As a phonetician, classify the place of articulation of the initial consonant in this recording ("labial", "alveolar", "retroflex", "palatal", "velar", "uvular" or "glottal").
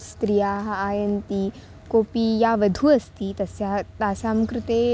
alveolar